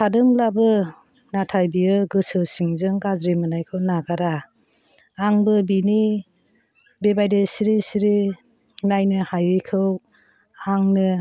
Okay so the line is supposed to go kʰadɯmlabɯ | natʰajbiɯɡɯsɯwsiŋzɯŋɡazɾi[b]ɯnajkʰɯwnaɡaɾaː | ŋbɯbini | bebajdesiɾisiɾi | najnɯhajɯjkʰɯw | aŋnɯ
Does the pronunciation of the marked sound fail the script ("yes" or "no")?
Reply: yes